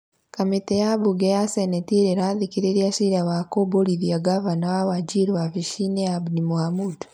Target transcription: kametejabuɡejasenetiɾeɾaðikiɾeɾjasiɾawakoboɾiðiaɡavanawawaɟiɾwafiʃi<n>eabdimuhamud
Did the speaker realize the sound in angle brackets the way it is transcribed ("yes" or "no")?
yes